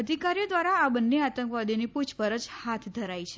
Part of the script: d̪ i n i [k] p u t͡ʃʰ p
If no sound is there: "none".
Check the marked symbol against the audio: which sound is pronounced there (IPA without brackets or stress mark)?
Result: none